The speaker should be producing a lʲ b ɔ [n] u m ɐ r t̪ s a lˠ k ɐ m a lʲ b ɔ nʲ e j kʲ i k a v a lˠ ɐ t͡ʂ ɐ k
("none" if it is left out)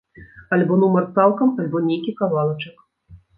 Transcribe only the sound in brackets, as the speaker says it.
n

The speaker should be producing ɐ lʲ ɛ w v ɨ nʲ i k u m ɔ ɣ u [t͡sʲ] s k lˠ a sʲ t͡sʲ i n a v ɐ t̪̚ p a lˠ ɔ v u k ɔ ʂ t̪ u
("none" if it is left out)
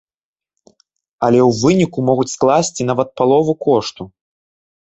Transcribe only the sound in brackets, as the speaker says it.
t͡sʲ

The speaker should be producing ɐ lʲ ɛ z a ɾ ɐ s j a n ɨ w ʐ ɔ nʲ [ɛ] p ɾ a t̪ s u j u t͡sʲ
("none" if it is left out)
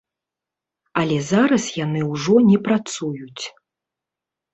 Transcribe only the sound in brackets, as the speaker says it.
ɛ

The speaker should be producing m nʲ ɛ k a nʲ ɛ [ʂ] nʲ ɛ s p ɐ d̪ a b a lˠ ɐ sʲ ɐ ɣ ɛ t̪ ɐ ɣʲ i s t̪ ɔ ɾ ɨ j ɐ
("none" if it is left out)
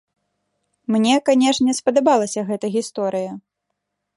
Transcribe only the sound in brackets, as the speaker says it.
ʂ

